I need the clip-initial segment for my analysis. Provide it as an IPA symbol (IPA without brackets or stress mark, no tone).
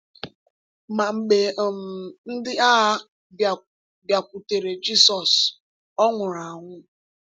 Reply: m